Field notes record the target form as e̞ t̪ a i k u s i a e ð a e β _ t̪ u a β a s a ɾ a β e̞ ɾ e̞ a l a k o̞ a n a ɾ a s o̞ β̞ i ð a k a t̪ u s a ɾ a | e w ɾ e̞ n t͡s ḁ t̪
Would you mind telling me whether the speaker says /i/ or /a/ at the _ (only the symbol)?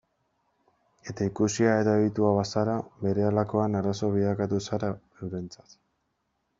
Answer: i